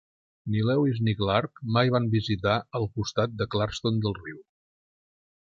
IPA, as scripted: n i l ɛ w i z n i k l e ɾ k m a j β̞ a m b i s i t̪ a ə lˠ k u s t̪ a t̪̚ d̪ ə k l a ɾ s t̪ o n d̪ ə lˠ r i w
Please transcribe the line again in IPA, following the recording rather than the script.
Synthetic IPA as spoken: n i l ɛ w i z n i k l a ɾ k m a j β̞ a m b i z i t̪ a ə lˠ k u s t̪ a t̪̚ d̪ ə k l a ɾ s t̪ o n d̪ ə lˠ r i w